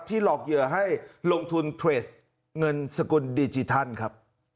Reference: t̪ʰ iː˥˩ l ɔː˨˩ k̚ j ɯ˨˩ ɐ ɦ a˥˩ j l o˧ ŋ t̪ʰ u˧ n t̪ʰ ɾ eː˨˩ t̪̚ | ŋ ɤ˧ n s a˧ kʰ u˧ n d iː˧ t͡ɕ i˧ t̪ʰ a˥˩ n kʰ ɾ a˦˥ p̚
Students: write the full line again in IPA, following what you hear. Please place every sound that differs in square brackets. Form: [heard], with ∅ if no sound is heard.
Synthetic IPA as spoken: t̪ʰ iː˥˩ l ɔː˨˩ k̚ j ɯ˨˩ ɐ ɦ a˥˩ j l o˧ ŋ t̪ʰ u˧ n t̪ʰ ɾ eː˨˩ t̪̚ | ŋ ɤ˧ n s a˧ [k] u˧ n d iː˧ t͡ɕ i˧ t̪ʰ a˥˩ n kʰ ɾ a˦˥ p̚